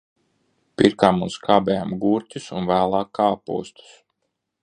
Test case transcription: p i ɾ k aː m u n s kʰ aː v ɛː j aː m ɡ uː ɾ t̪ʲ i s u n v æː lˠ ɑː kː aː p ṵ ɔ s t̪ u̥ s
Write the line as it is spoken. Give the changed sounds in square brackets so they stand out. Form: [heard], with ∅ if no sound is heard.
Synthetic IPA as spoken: p i ɾ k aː m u n s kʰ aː [b] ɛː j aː m ɡ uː ɾ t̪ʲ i s u n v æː lˠ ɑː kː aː p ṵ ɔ s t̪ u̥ s